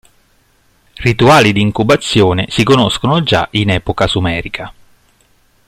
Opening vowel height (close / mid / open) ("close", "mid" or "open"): close